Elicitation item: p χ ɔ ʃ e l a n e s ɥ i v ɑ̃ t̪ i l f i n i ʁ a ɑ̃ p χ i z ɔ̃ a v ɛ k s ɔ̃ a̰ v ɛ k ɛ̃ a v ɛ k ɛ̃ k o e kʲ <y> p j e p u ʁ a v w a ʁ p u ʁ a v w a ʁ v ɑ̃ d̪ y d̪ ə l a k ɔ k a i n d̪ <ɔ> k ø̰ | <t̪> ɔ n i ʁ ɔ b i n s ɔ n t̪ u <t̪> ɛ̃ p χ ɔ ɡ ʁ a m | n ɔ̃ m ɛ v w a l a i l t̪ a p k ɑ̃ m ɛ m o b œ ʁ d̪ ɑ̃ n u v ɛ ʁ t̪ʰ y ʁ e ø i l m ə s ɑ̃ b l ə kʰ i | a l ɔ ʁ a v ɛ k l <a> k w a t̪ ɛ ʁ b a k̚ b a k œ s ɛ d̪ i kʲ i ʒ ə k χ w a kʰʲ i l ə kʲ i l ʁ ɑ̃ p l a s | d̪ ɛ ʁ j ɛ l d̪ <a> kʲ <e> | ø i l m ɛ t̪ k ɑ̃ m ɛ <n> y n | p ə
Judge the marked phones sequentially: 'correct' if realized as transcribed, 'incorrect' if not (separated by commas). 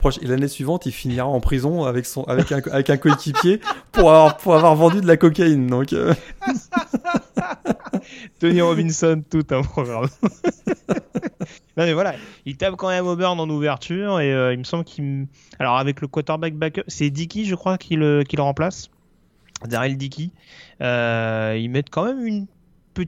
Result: incorrect, incorrect, correct, correct, incorrect, incorrect, incorrect, incorrect